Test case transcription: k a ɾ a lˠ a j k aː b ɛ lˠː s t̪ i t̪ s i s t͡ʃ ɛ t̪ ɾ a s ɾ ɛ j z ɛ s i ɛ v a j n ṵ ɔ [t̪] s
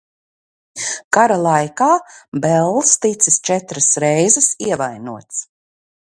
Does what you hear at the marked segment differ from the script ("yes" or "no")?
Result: no